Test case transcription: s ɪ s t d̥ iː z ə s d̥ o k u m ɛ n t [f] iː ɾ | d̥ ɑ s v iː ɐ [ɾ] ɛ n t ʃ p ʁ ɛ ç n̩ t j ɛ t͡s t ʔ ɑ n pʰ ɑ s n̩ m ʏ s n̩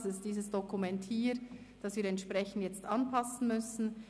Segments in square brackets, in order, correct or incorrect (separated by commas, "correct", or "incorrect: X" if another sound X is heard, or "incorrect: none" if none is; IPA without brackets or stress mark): incorrect: h, correct